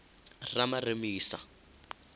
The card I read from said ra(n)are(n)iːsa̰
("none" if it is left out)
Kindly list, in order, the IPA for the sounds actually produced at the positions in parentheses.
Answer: m, m

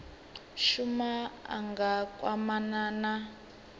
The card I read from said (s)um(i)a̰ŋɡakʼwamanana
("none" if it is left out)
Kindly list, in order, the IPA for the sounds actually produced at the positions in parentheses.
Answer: ʃ, a

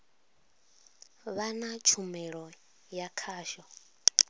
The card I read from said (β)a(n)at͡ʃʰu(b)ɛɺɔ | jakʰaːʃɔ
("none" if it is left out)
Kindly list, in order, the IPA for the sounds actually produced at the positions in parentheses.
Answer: β, n, m

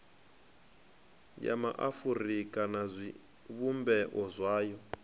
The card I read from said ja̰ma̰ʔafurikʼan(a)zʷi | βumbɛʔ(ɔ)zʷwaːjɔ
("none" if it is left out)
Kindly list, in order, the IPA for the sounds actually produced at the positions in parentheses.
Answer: a, ɔ

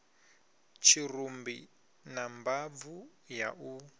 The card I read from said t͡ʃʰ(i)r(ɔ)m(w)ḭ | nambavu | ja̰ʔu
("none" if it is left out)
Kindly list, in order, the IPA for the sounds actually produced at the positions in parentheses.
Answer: i, u, b

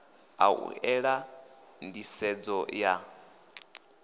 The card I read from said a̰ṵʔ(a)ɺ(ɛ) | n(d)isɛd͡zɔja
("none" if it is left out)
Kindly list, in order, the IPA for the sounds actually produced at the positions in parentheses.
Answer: ɛ, a, d

